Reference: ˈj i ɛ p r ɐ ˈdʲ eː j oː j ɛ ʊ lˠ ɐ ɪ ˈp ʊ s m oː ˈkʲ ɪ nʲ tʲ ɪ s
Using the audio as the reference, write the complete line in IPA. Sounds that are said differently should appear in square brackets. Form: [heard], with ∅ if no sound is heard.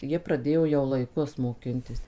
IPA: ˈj i ɛ p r ɐ ˈdʲ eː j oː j ɛ ʊ lˠ ɐ ɪ [ˈk] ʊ s m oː ˈkʲ ɪ nʲ tʲ ɪ s